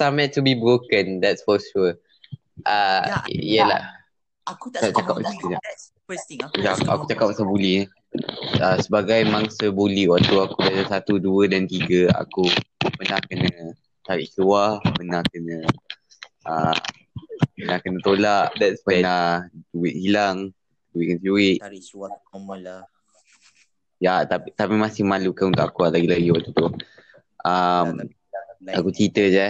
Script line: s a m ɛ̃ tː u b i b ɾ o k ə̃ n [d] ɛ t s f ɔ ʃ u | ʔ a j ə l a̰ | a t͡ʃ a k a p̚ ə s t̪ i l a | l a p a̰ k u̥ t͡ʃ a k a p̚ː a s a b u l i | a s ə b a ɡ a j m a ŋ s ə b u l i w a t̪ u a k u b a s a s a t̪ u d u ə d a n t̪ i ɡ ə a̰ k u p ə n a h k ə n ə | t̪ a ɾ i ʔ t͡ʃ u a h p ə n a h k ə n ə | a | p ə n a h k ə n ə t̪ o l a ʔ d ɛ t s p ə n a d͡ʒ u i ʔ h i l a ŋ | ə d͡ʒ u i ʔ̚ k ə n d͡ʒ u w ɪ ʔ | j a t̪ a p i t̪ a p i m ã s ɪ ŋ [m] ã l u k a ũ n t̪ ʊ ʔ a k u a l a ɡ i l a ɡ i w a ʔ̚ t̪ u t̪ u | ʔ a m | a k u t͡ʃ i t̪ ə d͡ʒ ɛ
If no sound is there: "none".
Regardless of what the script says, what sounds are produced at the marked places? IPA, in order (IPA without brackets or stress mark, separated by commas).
d, m